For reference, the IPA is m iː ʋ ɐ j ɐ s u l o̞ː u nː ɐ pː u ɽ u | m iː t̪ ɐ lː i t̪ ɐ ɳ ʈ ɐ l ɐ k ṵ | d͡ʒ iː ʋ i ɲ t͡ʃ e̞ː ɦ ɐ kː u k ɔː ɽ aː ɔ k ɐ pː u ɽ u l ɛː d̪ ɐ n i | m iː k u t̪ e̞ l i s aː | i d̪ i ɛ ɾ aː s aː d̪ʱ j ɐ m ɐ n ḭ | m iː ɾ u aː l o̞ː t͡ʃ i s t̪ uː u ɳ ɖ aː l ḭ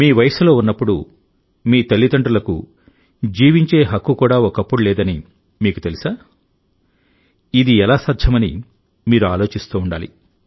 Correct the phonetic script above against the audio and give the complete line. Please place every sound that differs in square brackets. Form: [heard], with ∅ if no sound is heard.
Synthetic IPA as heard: m iː ʋ ɐ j ɐ s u l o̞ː u nː ɐ pː u ɽ u | m iː t̪ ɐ lː i t̪ ɐ ɳ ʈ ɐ l ɐ k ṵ | d͡ʒ iː ʋ i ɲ t͡ʃ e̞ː ɦ ɐ kː u k [uː] ɽ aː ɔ k ɐ pː u ɽ u l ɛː d̪ ɐ n i | m iː k u t̪ e̞ l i s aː | i d̪ i ɛ [l] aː s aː d̪ʱ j ɐ m ɐ n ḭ | m iː ɾ u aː l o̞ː t͡ʃ i s t̪ uː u ɳ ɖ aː l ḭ